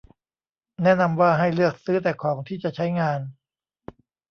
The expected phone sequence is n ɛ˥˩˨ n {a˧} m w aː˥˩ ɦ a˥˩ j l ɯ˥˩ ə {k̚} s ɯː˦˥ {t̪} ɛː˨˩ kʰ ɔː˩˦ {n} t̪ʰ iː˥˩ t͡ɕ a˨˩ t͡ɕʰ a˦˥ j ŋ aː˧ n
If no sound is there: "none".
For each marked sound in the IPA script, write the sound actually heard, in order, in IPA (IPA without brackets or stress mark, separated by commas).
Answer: a˧, k̚, t̪, ŋ